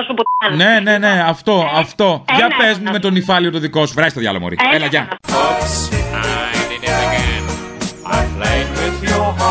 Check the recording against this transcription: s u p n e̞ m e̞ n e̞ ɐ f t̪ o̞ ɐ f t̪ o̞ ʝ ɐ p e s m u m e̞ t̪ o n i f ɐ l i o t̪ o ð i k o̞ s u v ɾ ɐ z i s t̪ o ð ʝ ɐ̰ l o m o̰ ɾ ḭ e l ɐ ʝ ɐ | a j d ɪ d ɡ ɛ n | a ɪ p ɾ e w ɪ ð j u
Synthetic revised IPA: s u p n e̞ n e̞ n e̞ ɐ f t̪ o̞ ɐ f t̪ o̞ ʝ ɐ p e z m u m e̞ t̪ o n i f ɐ l i o t̪ o ð i k o̞ s u v ɾ ɐ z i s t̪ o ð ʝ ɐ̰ l o m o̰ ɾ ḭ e l ɐ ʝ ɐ | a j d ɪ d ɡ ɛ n | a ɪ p l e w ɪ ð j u